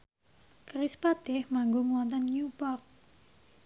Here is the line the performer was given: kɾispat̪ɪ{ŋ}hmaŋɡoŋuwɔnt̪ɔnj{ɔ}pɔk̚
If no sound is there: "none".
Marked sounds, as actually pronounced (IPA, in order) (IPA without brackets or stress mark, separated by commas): none, u